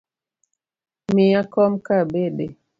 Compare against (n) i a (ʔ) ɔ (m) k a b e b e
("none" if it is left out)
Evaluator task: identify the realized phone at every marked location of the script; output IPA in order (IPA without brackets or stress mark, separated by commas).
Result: m, k, m